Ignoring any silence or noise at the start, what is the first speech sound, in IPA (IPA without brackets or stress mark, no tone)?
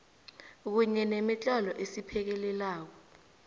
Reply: k̬